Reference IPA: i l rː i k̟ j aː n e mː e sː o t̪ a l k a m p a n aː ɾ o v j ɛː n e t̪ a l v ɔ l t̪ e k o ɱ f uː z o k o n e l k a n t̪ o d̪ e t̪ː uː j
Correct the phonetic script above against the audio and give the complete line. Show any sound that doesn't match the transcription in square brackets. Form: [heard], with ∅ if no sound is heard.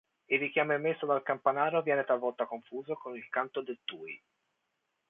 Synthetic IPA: i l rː i k̟ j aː [m] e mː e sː o [d̪] a l k a m p a n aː ɾ o v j ɛː n e t̪ a l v ɔ l t̪ [a] k o ɱ f uː z o k o n [i] l k a n t̪ o d̪ e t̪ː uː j